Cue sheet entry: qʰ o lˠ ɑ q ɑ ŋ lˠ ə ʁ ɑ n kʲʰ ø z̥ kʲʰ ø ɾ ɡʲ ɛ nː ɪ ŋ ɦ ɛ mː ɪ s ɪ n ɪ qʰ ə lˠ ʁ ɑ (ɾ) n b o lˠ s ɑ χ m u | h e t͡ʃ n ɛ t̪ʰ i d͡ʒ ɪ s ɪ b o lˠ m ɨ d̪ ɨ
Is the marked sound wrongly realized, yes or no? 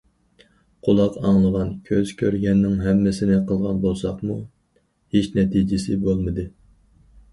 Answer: yes